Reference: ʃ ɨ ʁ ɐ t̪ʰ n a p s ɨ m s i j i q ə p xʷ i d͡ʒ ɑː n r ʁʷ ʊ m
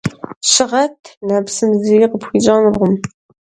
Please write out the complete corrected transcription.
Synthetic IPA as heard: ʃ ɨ ʁ ɐ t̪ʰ n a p s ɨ m z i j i q ə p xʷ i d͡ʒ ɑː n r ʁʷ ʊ m